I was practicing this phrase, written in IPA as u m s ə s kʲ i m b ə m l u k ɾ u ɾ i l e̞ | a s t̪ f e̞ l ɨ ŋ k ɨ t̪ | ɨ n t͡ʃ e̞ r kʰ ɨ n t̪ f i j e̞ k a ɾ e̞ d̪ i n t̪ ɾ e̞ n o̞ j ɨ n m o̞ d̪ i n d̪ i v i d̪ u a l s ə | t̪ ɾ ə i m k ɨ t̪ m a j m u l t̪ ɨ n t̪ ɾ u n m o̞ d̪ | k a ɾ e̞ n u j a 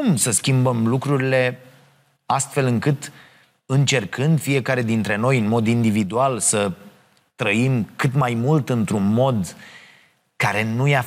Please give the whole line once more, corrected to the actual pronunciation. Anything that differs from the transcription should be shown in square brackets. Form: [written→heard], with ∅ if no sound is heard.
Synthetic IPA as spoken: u m s ə s kʲ i m b ə m l u k ɾ u ɾ i l e̞ | a s t̪ f e̞ l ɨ ŋ k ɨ t̪ | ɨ n t͡ʃ e̞ r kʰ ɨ n [t̪→d̪] f i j e̞ k a ɾ e̞ d̪ i n t̪ ɾ e̞ n o̞ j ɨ n m o̞ d̪ i n d̪ i v i d̪ u a l s ə | t̪ ɾ ə i m k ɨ t̪ m a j m u l t̪ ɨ n t̪ ɾ u n m o̞ d̪ | k a ɾ e̞ n u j a